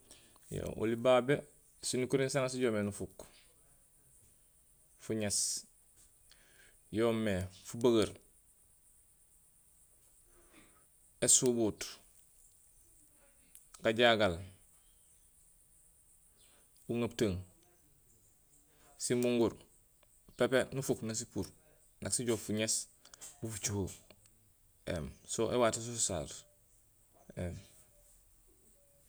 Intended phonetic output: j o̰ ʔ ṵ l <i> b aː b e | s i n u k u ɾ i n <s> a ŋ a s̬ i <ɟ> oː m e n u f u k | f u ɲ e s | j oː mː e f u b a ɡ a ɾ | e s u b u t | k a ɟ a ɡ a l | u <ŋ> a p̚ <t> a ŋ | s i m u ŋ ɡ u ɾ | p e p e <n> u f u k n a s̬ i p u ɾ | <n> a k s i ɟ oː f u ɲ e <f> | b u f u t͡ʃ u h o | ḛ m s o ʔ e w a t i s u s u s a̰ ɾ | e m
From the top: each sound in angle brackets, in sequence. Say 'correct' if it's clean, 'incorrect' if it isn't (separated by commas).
correct, correct, correct, correct, correct, correct, correct, incorrect